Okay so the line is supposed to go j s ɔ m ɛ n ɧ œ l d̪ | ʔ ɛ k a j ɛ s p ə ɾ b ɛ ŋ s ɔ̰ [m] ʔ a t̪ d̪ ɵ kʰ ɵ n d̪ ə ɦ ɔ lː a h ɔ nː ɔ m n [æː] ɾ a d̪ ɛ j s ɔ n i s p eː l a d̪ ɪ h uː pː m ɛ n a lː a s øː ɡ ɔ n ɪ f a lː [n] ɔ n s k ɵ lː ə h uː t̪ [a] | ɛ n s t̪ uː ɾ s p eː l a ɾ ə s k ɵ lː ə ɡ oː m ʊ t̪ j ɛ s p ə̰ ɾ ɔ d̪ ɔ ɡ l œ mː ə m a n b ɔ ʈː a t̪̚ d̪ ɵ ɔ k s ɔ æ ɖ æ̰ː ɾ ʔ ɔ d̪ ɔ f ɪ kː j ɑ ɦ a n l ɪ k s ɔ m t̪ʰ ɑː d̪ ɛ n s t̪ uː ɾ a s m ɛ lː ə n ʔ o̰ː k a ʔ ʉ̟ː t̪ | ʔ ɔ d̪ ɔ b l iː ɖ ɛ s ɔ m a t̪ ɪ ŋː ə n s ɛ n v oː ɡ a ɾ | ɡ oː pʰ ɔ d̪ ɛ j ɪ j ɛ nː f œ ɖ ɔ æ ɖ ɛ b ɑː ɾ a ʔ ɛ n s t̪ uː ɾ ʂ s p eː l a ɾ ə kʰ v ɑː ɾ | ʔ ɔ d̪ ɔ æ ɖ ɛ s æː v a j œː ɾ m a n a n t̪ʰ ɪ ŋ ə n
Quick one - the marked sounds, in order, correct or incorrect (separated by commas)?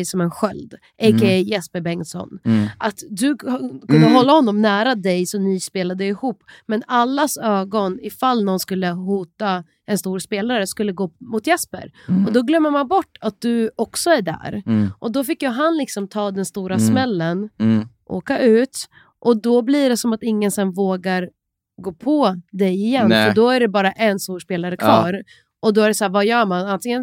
incorrect, correct, correct, correct